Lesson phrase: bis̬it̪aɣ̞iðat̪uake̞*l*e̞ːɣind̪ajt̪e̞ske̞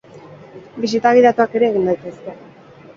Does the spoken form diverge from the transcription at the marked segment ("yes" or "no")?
yes